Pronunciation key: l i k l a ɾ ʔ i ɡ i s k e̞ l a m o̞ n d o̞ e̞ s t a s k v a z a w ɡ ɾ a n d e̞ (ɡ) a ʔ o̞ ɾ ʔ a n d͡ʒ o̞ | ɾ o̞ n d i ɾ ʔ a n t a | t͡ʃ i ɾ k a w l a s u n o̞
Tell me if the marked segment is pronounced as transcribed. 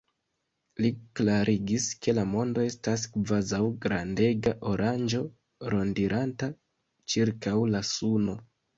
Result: yes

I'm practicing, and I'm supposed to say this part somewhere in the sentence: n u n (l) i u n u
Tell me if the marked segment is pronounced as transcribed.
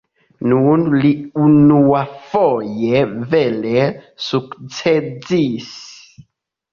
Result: yes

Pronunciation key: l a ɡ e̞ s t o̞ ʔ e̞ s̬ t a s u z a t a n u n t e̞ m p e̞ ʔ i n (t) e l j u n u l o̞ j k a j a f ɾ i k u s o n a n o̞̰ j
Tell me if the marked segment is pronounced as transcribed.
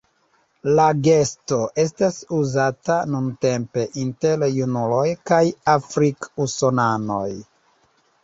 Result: yes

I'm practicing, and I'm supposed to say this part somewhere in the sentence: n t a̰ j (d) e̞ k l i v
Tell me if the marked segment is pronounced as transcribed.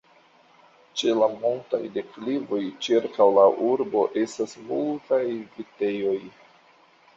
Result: yes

